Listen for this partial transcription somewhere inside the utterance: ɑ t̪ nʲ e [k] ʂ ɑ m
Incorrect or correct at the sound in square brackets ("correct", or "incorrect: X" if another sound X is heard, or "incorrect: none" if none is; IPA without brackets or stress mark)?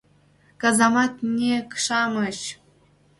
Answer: correct